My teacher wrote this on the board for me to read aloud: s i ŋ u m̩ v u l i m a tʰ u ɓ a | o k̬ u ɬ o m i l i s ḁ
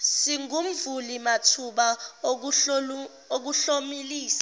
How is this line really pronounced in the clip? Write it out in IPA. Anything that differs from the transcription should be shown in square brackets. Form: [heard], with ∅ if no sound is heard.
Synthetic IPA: s i ŋ u m̩ v u l i m a tʰ u ɓ a | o k̬ u ɬ o m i l [iː] s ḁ